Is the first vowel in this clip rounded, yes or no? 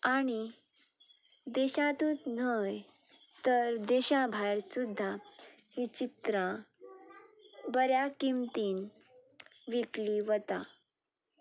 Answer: no